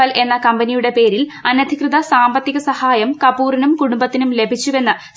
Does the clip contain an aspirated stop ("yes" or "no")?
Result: no